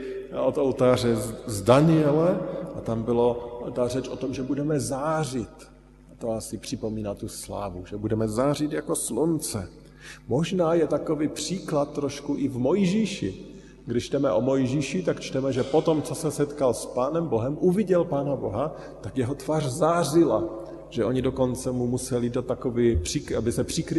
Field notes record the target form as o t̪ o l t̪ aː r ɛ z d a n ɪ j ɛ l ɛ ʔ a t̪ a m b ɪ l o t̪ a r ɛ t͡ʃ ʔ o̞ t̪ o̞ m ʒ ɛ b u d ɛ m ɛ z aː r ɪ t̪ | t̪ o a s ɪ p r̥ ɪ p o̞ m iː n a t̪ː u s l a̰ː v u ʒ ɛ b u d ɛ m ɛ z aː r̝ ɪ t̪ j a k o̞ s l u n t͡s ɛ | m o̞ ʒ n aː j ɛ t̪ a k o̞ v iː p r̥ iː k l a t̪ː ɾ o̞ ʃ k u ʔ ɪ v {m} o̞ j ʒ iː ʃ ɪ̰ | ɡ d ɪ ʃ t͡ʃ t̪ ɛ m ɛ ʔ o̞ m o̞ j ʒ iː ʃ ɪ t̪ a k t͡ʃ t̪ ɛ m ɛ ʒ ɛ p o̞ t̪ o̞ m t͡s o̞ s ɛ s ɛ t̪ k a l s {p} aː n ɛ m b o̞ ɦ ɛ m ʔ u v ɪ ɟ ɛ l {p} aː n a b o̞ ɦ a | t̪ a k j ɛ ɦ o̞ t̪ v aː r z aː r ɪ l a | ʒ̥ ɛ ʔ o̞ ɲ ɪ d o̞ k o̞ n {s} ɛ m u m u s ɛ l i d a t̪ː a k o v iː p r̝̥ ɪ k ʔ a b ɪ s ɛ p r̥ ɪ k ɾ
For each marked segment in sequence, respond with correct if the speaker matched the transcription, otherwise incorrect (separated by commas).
correct, correct, correct, incorrect